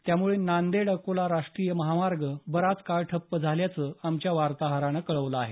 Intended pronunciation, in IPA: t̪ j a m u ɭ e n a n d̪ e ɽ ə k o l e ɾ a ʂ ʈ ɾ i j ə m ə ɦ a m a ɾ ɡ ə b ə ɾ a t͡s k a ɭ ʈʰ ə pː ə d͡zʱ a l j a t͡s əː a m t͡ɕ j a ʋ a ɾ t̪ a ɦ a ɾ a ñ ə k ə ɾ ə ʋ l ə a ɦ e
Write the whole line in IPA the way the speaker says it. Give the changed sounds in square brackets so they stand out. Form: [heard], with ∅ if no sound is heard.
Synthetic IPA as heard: t̪ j a m u ɭ e n a n d̪ e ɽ ə k o l [a] ɾ a ʂ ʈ ɾ i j ə m ə ɦ a m a ɾ ɡ ə b ə ɾ a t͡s k a ɭ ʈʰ ə pː ə d͡zʱ a l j a t͡s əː a m t͡ɕ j a ʋ a ɾ t̪ a ɦ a ɾ a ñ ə k ə [ɭ] ə ʋ l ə a ɦ e